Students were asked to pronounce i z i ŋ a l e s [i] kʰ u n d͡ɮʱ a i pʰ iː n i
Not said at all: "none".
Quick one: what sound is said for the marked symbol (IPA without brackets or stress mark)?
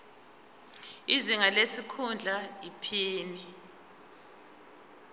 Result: i